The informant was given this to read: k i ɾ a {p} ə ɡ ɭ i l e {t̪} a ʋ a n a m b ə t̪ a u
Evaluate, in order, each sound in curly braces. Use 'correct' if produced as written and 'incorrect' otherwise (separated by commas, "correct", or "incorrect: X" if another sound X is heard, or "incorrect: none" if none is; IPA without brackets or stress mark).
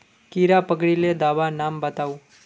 correct, incorrect: d̪